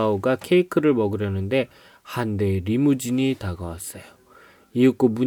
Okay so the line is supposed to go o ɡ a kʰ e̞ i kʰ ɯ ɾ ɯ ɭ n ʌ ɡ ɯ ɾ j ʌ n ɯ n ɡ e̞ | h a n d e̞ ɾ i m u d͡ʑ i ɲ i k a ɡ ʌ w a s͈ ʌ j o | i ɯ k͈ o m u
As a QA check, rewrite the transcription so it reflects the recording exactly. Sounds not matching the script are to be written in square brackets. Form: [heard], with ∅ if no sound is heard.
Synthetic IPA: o ɡ a kʰ e̞ i kʰ ɯ ɾ ɯ ɭ [m] ʌ ɡ ɯ ɾ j ʌ n ɯ n [d] e̞ | h a n d e̞ ɾ i m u d͡ʑ i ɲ i [t] a ɡ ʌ w a s͈ ʌ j o | i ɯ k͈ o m u